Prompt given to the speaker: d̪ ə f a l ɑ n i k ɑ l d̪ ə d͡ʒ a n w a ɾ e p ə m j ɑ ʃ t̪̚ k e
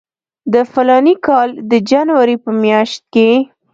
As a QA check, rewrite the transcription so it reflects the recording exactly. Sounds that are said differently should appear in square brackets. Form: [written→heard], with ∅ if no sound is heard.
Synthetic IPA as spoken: d̪ ə f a l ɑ n i k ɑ l d̪ ə d͡ʒ a n w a ɾ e p ə m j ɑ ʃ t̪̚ k e